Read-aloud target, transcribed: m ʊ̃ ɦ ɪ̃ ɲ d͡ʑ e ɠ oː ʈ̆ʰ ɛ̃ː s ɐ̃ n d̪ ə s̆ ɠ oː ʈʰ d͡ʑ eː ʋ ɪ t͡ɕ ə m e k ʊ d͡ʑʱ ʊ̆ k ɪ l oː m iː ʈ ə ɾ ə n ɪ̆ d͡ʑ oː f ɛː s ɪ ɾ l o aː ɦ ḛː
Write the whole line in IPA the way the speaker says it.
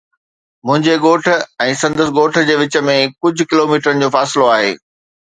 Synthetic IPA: m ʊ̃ ɦ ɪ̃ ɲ d͡ʑ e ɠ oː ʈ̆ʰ ɛ̃ː s ɐ̃ n d̪ ə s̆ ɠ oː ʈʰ d͡ʑ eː ʋ ɪ t͡ɕ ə m ẽ k ʊ d͡ʑʱ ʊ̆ k ɪ l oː m iː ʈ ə ɾ ə n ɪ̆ d͡ʑ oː f aː s ɪ l o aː ɦ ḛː